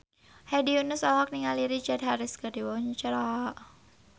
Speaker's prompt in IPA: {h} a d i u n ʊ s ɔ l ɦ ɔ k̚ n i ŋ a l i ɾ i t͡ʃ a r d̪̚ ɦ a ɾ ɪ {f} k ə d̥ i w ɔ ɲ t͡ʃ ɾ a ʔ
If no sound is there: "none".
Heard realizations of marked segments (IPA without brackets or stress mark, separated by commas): h, s